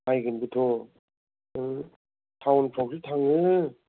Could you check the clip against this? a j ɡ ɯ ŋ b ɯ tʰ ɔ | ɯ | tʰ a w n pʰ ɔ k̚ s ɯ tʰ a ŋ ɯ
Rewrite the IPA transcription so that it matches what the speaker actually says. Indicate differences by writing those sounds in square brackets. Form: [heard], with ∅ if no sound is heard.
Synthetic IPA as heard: a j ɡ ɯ [n] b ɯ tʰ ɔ | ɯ | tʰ a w n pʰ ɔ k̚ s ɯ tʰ a ŋ ɯ